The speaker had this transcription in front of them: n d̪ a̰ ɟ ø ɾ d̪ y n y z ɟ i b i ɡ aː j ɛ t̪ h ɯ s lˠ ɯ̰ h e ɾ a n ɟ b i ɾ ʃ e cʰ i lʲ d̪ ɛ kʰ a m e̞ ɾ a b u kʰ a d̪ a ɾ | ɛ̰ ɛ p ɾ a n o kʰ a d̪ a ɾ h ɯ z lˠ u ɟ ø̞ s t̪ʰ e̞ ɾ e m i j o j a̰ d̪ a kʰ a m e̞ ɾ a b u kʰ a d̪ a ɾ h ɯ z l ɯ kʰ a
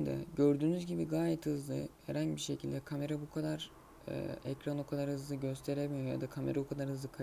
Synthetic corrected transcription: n d̪ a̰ ɟ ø ɾ d̪ yː n y z ɟ i b i ɡ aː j ɛ t̪ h ɯ z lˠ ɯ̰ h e ɾ a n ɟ b i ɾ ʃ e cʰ i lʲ d̪ ɛ kʰ a m e̞ ɾ a b u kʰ a d̪ a ɾ | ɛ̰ ɛ c ɾ a n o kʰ a d̪ a ɾ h ɯ z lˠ ɯ ɟ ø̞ s t̪ʰ e̞ ɾ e m i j o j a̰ d̪ a kʰ a m e̞ ɾ a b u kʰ a d̪ a ɾ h ɯ z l ɯ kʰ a